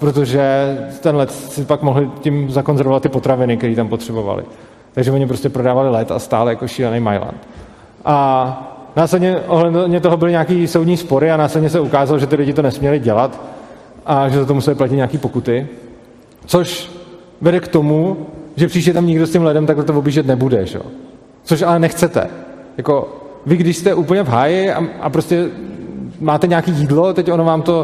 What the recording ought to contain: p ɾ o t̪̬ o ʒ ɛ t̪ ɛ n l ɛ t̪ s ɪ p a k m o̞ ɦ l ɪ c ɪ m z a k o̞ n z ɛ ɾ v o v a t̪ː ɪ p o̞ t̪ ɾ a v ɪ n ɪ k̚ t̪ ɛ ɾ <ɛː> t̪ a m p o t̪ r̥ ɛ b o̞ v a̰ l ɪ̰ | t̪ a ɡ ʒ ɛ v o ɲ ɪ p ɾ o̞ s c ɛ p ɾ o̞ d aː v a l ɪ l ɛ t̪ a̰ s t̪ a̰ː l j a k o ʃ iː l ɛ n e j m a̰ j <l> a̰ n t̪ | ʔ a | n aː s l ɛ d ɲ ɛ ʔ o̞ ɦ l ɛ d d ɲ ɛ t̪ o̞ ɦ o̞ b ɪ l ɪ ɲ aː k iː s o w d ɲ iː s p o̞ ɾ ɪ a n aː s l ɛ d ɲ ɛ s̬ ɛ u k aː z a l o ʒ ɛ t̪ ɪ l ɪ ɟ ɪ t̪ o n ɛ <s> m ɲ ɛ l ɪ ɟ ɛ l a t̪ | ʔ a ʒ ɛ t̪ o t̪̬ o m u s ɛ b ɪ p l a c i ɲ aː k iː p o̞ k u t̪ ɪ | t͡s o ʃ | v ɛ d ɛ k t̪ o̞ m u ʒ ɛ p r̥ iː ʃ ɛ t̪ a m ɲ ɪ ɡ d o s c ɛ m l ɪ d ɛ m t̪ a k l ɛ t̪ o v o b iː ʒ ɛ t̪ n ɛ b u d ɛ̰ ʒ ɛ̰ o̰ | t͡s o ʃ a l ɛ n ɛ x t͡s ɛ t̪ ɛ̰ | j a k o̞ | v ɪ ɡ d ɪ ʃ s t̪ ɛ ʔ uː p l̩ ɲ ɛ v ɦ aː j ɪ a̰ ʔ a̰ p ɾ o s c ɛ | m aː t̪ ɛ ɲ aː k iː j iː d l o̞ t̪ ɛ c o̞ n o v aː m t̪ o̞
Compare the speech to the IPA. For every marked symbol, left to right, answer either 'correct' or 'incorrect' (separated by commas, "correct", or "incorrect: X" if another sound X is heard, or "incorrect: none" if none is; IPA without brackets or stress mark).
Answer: incorrect: iː, correct, correct